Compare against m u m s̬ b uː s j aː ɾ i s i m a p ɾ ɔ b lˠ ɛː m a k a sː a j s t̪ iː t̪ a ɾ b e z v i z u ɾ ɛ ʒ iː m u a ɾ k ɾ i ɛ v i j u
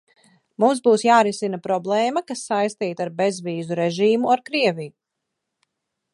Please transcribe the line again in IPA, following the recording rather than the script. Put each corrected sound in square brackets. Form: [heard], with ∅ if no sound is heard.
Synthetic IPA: m u m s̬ b uː s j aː ɾ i s i [n] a p ɾ ɔ b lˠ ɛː m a k a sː a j s t̪ iː t̪ a ɾ b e z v [iː] z u ɾ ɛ ʒ iː m u a ɾ k ɾ i ɛ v i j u